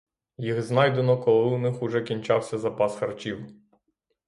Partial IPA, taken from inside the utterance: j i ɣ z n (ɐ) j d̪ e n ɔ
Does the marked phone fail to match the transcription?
yes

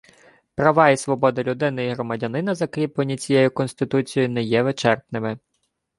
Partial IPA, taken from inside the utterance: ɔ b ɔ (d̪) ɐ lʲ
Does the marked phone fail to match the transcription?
no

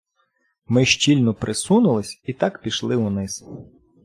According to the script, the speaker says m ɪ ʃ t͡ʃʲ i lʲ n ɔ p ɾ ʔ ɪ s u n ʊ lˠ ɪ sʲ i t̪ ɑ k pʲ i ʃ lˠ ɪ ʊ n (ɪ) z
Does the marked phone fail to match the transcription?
no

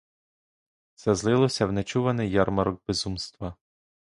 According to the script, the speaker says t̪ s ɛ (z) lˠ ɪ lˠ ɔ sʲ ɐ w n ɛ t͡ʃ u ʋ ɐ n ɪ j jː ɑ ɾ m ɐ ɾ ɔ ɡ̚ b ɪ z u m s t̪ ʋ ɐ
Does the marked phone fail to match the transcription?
no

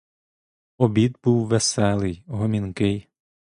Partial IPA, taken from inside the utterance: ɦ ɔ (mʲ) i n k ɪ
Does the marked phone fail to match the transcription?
no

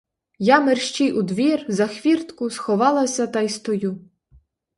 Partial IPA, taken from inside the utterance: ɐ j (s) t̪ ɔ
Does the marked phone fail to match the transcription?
no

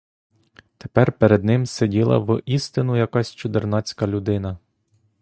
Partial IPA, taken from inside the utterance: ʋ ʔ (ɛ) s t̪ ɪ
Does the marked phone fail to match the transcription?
yes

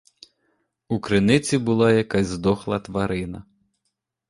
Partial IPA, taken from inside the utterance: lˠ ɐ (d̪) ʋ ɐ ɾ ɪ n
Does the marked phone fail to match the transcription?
yes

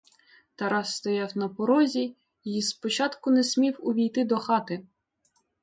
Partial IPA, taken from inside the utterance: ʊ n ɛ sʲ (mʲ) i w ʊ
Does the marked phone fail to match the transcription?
no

